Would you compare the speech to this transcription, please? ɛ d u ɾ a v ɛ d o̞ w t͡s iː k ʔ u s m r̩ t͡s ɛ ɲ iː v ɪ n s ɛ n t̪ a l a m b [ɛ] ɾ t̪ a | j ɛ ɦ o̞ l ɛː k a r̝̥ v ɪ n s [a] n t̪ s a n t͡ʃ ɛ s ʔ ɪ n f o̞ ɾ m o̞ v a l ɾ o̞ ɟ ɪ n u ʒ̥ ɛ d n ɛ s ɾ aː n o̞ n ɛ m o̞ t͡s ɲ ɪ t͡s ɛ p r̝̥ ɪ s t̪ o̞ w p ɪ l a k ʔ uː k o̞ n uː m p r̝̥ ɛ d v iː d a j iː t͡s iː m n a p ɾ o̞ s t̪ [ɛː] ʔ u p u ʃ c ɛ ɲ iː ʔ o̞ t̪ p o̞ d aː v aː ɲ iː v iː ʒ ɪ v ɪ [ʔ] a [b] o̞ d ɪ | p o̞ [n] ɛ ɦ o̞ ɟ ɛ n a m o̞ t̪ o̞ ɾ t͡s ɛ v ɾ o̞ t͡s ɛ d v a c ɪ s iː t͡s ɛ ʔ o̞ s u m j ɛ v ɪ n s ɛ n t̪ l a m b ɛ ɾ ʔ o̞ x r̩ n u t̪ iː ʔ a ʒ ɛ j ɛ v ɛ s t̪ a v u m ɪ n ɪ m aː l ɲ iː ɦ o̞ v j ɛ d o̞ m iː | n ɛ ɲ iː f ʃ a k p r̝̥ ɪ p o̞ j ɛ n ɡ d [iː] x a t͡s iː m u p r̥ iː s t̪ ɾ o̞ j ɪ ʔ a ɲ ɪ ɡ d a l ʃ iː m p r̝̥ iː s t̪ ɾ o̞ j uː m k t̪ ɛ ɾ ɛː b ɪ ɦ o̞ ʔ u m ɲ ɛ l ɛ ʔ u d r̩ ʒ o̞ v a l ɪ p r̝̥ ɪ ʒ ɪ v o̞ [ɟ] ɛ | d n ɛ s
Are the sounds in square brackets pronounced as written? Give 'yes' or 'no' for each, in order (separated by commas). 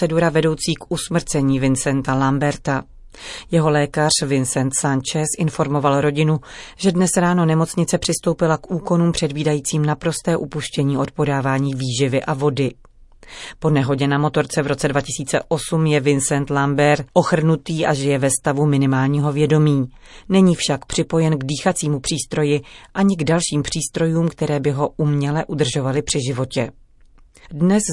yes, no, yes, yes, no, yes, yes, no